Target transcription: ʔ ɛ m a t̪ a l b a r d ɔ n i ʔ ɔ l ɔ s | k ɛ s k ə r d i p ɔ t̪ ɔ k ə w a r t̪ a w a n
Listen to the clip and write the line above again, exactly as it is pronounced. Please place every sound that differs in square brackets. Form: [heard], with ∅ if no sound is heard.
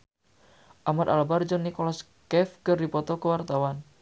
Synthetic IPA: ʔ [a] m a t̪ a l b a r [d͡ʒ] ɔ n i [k] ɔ l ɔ s | k ɛ [f] k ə r d i p ɔ t̪ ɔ k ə w a r t̪ a w a n